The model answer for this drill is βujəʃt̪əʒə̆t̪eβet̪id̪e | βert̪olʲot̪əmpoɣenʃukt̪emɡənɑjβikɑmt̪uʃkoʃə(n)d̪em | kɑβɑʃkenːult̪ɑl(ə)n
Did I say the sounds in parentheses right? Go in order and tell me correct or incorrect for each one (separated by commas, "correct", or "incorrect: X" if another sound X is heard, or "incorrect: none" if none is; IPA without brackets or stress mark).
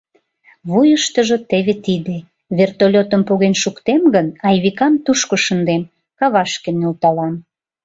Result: correct, incorrect: ɑ